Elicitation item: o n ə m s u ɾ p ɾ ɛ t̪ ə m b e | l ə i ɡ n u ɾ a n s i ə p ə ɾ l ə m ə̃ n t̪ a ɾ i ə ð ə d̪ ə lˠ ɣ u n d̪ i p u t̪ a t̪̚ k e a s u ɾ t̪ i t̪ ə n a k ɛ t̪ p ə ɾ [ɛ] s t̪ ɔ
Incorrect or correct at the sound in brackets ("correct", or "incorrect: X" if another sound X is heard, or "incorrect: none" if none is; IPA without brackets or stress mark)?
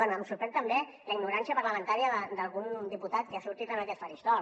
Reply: incorrect: i